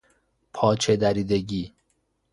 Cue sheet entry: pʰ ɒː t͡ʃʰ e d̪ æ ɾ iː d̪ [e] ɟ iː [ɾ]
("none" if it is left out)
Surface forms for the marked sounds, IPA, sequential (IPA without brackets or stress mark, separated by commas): e, none